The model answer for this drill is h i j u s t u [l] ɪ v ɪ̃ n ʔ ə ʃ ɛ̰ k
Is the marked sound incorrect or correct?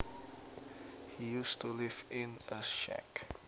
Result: correct